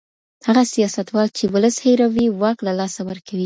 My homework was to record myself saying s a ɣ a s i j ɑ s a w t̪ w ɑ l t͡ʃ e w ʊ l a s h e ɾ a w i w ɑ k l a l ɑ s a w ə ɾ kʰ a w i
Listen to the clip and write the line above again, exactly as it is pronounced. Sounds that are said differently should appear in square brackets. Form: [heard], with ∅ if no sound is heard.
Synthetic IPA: [h] a ɣ a s i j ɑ s a [∅] t̪ w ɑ l t͡ʃ e w ʊ l [ə] s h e ɾ a w i w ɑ k l a l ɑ s a w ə ɾ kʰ a w i